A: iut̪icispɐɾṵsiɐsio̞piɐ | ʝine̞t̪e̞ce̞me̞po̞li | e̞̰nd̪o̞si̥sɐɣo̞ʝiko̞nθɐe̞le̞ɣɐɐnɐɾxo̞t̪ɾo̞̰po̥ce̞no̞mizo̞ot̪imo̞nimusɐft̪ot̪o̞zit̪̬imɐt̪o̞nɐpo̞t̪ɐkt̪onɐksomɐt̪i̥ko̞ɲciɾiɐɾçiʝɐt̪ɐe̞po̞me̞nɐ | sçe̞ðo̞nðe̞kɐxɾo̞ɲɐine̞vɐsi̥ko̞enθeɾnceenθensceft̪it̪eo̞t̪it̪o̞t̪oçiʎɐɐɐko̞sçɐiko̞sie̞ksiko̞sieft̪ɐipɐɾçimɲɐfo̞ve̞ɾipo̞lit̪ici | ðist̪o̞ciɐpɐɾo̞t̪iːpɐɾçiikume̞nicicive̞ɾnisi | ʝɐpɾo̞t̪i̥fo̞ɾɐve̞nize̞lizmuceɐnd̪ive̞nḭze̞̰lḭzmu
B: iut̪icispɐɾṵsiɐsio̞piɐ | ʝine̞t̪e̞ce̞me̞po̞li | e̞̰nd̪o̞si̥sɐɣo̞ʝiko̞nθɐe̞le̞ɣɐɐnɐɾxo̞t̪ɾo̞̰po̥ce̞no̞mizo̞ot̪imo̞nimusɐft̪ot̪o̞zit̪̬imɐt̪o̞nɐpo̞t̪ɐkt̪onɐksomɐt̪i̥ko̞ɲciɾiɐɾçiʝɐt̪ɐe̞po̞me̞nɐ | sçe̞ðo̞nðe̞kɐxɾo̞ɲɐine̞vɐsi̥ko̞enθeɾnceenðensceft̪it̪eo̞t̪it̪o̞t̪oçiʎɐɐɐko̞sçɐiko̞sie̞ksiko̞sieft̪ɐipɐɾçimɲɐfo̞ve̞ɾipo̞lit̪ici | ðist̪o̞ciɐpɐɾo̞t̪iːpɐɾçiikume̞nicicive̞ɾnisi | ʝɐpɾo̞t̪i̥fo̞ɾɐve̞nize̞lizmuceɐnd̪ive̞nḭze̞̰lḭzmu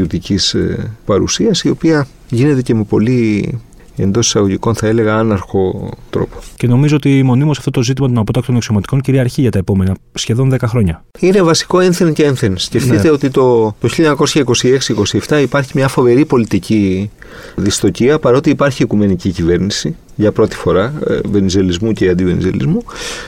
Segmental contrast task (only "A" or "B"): A